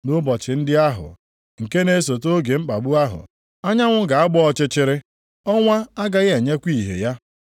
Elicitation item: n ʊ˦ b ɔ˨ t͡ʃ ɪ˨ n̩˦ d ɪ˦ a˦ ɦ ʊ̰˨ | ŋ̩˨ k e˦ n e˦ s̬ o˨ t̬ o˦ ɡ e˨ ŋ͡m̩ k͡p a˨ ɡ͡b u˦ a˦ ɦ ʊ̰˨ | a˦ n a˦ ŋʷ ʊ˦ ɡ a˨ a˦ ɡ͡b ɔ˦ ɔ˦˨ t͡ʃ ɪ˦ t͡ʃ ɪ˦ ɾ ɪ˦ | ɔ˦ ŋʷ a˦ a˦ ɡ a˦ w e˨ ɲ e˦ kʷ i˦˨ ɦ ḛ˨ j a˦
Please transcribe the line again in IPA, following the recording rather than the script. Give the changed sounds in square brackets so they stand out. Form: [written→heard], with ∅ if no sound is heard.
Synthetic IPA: n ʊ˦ b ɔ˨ t͡ʃ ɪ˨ n̩˦ d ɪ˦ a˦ ɦ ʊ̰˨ | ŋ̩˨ k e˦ n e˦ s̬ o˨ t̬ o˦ ɡ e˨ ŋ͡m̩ k͡p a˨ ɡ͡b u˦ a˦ ɦ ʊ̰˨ | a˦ [n→ɲ] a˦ ŋʷ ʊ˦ ɡ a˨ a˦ ɡ͡b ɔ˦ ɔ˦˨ t͡ʃ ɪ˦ t͡ʃ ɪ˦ ɾ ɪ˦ | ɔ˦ ŋʷ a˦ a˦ ɡ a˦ [w→ɣ] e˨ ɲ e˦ kʷ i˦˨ ɦ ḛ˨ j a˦